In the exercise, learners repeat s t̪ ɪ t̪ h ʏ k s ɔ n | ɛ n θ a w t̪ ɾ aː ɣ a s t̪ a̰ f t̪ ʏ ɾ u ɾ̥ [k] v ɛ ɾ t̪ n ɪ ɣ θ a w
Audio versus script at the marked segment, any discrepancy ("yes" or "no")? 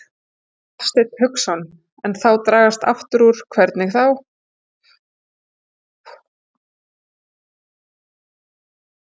yes